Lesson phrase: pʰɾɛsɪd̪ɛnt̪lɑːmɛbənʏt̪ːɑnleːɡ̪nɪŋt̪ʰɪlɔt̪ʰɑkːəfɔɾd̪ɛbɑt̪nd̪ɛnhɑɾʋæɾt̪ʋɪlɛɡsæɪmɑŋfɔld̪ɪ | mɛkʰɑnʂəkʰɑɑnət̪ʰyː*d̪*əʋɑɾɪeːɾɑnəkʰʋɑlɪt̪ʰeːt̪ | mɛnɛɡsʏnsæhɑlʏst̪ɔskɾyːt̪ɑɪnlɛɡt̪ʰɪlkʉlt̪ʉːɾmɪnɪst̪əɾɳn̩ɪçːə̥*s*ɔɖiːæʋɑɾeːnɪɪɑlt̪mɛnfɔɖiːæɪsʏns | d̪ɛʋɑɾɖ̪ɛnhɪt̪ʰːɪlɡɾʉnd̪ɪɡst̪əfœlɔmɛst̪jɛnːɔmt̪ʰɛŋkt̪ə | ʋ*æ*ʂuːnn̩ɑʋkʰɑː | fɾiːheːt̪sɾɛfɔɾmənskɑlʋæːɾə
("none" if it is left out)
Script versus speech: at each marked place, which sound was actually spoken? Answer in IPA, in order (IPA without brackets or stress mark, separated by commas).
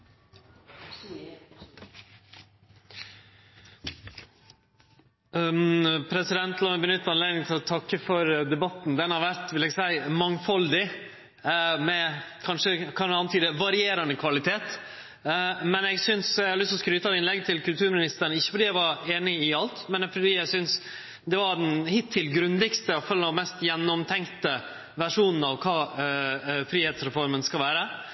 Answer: d̪, f, æ